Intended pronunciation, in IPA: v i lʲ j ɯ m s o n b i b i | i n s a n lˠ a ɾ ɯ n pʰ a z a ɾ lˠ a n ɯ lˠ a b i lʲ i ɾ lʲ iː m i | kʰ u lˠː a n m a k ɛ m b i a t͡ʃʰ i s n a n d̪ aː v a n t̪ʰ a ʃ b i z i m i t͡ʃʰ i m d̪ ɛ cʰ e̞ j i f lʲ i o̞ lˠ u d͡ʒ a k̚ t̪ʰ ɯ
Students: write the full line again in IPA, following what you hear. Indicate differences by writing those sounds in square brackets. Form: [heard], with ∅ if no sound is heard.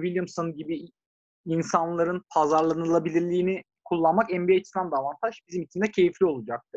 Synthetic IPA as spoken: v i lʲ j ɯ m s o n [ɟ] i b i | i n s a n lˠ a ɾ ɯ n pʰ a z a ɾ lˠ a n ɯ lˠ a b i lʲ i ɾ lʲ iː [n] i | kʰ u lˠː a n m a k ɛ m b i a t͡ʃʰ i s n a n d̪ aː v a n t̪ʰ a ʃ b i z i m i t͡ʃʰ i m d̪ ɛ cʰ e̞ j i f lʲ i o̞ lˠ u d͡ʒ a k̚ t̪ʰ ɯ